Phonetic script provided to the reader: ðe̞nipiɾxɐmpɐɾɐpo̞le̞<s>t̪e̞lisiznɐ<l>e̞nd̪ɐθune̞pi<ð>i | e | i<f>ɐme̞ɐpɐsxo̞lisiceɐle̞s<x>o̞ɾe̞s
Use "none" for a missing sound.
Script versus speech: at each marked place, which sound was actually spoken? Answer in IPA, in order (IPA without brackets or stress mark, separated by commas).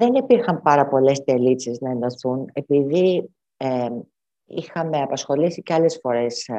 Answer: s, none, ð, x, f